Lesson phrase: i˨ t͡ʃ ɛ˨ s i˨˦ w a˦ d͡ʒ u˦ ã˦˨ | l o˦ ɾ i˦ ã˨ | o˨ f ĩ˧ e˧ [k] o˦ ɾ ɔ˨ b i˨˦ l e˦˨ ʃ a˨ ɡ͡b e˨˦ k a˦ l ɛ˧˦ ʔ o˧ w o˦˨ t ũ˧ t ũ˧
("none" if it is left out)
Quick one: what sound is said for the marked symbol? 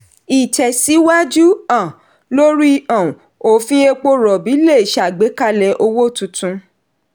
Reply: k͡p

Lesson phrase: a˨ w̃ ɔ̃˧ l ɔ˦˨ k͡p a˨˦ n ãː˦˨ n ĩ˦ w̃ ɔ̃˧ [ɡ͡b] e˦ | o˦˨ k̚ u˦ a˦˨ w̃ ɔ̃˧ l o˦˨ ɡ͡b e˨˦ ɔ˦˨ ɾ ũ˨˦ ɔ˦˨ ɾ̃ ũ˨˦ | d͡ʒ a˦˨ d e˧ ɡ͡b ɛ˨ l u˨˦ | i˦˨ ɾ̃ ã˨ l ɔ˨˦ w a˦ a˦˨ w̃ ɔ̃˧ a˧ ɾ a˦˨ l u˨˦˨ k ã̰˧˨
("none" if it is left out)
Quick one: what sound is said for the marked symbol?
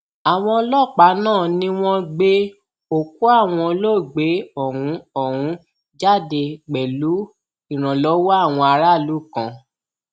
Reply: ɡ͡b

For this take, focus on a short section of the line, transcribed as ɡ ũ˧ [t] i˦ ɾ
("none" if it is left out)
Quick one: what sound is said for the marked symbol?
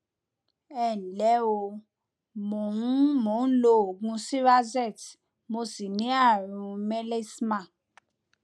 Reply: s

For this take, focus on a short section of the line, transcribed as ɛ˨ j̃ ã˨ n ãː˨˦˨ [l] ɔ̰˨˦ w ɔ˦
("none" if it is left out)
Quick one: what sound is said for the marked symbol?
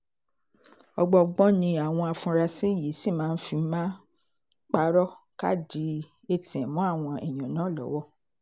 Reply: l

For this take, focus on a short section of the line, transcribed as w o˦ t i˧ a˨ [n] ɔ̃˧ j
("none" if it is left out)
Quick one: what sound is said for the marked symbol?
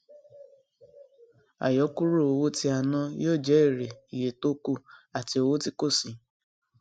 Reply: n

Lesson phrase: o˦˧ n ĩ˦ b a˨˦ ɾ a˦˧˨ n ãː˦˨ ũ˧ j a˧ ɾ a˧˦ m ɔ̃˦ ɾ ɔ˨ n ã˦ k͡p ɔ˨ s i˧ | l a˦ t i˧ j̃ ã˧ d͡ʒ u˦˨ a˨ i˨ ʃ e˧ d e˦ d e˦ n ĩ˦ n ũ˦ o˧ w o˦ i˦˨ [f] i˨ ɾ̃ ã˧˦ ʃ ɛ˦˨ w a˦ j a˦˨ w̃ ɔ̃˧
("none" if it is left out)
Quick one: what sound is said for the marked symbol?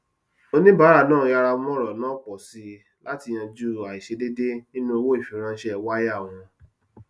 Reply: f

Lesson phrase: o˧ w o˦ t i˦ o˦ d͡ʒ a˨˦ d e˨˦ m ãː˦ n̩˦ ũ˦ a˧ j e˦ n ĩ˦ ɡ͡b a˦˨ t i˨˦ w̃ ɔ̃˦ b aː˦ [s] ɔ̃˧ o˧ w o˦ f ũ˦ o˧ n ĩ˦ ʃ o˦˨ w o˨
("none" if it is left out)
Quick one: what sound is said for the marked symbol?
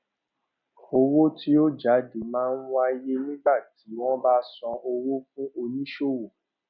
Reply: s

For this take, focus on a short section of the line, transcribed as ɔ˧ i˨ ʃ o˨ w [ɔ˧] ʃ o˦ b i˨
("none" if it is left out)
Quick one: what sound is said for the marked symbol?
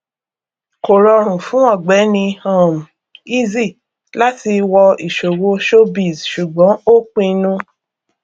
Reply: o˧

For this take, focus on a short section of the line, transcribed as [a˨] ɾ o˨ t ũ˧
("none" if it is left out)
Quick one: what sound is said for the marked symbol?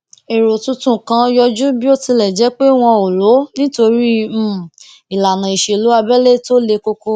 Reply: e˨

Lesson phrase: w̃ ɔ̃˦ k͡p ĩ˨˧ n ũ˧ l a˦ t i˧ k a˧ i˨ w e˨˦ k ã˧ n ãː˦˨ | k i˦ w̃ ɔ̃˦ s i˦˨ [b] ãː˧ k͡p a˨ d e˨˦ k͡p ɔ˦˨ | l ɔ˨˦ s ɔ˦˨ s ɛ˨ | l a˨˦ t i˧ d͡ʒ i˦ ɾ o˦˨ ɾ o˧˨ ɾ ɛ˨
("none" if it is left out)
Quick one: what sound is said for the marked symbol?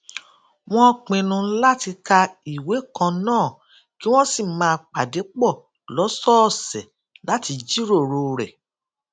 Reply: m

